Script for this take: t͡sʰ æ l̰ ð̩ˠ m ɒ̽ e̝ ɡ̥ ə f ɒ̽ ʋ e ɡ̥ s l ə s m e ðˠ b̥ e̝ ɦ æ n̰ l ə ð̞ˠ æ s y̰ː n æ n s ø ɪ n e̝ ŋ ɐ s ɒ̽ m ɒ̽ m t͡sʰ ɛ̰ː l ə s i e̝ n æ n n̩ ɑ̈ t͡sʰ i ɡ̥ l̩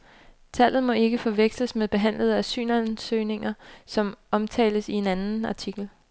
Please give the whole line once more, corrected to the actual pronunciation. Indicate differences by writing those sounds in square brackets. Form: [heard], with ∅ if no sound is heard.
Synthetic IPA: t͡sʰ æ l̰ ð̩ˠ m ɒ̽ e̝ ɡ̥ ə f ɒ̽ ʋ e ɡ̥ s l ə s m e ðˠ b̥ e̝ ɦ æ n̰ l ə ð̞ˠ æ s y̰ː n æ n s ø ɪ n e̝ ŋ ɐ s ɒ̽ m ɒ̽ m t͡sʰ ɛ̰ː l ə s i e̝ n æ n n̩ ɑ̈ t͡sʰ i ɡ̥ l̩